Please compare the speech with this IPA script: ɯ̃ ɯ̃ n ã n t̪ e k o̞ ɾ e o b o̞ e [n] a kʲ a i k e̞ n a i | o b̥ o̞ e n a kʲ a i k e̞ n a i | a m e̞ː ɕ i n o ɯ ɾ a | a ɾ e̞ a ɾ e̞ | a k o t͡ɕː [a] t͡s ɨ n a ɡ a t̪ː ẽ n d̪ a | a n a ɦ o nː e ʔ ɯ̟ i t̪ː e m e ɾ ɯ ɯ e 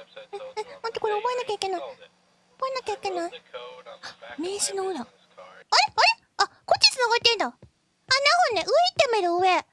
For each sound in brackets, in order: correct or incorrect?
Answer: correct, incorrect

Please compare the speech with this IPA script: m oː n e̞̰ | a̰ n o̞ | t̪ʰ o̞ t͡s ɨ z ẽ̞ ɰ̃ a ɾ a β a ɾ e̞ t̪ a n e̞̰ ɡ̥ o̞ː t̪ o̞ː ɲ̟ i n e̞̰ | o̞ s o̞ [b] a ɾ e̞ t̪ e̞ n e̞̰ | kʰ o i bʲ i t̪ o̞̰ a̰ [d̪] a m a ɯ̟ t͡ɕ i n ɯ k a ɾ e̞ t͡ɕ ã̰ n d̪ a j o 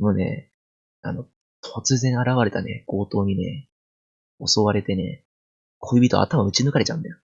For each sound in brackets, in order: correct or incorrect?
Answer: incorrect, incorrect

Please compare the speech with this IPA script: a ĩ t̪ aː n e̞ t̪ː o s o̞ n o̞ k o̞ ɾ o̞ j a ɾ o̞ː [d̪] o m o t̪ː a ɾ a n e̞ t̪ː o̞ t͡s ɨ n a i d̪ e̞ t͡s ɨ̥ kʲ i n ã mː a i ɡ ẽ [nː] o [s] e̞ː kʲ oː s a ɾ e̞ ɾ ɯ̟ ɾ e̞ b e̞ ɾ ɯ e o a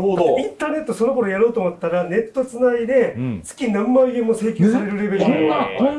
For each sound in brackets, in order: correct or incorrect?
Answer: incorrect, incorrect, correct

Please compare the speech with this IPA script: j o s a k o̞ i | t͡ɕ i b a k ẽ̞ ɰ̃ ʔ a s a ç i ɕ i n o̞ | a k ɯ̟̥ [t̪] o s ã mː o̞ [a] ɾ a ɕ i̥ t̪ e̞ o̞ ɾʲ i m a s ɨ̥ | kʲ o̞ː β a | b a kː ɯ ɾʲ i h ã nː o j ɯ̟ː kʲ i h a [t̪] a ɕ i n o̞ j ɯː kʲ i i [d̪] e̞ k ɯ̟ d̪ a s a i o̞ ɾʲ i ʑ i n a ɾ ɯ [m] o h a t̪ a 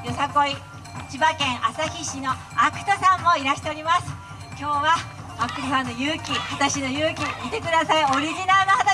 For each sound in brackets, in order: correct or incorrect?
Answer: correct, incorrect, correct, incorrect, incorrect

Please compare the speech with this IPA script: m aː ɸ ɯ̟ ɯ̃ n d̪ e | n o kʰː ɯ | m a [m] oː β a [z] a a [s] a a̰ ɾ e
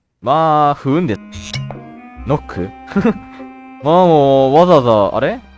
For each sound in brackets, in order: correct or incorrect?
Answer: correct, correct, incorrect

